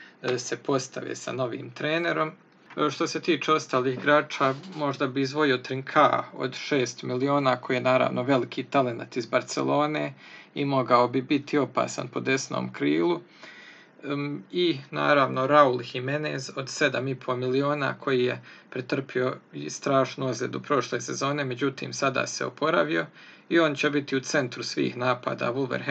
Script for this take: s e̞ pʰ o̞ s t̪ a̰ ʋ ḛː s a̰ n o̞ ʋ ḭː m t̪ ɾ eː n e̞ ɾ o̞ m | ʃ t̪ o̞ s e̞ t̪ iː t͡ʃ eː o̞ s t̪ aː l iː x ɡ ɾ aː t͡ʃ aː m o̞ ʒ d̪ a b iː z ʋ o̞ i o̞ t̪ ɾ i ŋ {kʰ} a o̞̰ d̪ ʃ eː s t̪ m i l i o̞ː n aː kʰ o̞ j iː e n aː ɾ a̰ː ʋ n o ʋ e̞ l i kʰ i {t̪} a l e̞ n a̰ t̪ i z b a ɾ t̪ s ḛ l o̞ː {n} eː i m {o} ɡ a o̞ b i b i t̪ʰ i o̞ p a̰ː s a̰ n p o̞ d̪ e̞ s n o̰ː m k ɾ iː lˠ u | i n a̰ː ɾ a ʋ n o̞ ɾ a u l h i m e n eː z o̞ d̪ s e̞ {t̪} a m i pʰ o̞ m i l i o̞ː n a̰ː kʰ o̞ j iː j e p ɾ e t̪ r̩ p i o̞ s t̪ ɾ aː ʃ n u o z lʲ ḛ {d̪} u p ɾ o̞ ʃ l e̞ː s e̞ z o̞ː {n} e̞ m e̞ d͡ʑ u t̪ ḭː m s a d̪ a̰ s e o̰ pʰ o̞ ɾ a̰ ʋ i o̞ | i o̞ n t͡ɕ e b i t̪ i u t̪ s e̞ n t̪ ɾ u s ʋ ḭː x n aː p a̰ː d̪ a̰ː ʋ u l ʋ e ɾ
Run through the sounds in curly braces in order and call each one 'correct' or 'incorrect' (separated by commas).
correct, correct, correct, correct, incorrect, correct, correct